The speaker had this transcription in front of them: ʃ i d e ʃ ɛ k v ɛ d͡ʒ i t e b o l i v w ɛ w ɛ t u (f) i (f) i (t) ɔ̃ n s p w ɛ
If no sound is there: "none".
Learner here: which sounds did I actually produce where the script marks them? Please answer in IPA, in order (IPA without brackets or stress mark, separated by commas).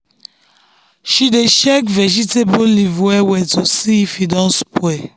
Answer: s, f, d